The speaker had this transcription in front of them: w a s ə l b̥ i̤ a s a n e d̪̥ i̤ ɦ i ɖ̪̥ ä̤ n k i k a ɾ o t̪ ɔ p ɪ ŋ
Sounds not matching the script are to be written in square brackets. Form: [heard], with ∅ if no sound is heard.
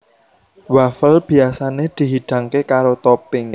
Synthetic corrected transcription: w a [f] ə l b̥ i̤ a s a n e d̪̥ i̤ ɦ i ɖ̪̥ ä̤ [ŋ] k [e] k a ɾ o t̪ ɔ p ɪ ŋ